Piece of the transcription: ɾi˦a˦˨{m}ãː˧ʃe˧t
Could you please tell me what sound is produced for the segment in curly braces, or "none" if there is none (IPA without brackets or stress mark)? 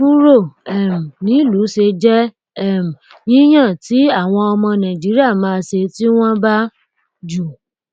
m